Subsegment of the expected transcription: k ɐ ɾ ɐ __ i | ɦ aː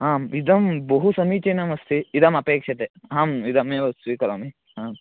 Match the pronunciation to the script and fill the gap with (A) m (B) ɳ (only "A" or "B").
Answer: A